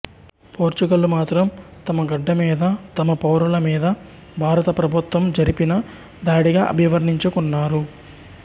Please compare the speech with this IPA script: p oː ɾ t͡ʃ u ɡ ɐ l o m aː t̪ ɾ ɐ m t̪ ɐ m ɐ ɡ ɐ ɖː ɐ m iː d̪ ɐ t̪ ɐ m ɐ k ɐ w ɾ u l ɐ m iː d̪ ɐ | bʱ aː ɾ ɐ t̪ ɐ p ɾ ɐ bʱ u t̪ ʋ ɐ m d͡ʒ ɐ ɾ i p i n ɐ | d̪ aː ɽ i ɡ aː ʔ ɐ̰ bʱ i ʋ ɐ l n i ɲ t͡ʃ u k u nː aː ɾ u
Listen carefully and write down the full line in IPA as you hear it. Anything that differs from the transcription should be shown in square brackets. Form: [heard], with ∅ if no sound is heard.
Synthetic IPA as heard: p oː ɾ t͡ʃ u ɡ ɐ l [u] m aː t̪ ɾ ɐ m t̪ ɐ m ɐ ɡ ɐ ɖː ɐ m iː d̪ ɐ t̪ ɐ m ɐ [p] ɐ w ɾ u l ɐ m iː d̪ ɐ | bʱ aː ɾ ɐ t̪ ɐ p ɾ ɐ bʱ u t̪ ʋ ɐ m d͡ʒ ɐ ɾ i p i n ɐ | d̪ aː ɽ i ɡ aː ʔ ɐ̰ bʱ i ʋ ɐ [ɾ] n i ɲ t͡ʃ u k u nː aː ɾ u